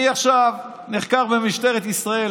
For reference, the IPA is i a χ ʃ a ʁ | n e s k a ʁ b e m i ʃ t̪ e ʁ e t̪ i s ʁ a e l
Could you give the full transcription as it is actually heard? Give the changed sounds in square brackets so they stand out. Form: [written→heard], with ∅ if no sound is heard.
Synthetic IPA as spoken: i a χ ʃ a [ʁ→v] | n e [s→χ] k a ʁ b e m i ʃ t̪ e ʁ e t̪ i s ʁ a e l